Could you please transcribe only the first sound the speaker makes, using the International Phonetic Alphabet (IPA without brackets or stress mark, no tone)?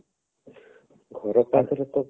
ɡʱ